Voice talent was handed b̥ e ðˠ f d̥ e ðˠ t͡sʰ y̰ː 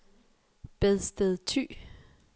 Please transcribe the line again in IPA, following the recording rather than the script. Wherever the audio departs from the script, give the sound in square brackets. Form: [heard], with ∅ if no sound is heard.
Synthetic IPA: b̥ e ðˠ [s] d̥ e ðˠ t͡sʰ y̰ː